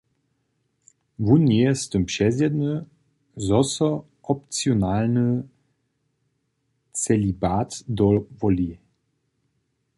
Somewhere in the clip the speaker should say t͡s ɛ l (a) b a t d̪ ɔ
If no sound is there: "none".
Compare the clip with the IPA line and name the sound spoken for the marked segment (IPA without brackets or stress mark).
i